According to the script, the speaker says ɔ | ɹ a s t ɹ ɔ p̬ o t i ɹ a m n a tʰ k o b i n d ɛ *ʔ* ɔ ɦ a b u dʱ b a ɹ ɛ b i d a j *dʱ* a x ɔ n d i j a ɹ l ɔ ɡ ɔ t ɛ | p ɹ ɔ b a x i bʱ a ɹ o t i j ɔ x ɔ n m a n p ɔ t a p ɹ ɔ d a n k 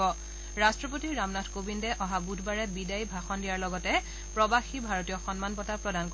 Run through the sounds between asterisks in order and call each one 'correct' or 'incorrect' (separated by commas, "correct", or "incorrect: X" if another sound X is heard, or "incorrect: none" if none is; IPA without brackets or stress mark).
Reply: correct, incorrect: bʱ